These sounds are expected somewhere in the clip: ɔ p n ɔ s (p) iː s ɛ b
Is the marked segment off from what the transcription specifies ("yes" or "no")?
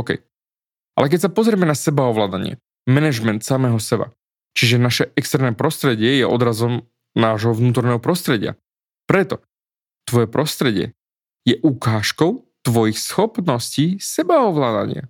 yes